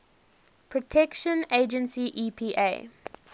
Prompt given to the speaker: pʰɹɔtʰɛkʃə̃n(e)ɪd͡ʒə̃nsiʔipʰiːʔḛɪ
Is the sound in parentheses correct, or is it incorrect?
correct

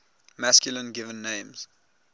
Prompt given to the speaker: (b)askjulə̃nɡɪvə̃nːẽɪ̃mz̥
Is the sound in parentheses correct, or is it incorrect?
incorrect: m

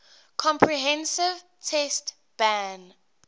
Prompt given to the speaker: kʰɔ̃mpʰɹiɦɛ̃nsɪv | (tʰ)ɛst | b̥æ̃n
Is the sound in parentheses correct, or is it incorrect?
correct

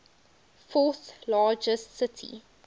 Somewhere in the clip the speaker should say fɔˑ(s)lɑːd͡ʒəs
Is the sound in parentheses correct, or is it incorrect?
incorrect: θ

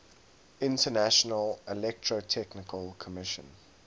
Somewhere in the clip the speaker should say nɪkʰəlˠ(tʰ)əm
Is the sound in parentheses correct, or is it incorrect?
incorrect: kʰ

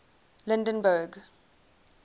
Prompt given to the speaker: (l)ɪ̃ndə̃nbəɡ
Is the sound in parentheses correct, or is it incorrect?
correct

